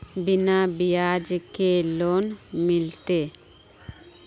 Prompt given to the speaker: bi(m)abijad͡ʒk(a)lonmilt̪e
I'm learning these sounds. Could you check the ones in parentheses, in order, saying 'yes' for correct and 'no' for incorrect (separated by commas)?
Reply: no, no